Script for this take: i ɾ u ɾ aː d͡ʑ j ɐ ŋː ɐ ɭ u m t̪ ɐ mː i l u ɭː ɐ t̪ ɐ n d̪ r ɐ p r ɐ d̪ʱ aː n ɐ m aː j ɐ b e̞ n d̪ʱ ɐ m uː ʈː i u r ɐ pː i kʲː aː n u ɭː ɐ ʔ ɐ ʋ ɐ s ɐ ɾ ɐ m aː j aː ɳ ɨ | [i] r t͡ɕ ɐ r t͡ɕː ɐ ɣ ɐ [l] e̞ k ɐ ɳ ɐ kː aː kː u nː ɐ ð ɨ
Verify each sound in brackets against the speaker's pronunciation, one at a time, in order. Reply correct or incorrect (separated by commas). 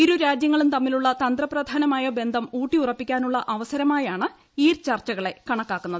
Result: incorrect, incorrect